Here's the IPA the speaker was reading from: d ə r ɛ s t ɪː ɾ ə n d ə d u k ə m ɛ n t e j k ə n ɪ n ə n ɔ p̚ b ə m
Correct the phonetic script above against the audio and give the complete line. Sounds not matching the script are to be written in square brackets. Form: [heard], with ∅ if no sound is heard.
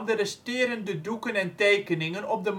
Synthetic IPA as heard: d ə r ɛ s t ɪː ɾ ə n d ə d u k ə [n] ɛ n t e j k ə n ɪ [ŋ] ə n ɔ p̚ [d] ə m